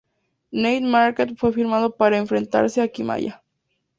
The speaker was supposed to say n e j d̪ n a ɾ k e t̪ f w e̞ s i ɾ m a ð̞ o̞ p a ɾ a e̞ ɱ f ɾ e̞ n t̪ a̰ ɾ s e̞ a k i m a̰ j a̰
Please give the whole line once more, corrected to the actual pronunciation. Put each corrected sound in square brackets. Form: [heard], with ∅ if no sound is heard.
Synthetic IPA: n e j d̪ [m] a ɾ k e t̪ f w e̞ [f] i ɾ m a ð̞ o̞ p a ɾ a e̞ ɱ f ɾ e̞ n t̪ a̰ ɾ s e̞ a k i m a̰ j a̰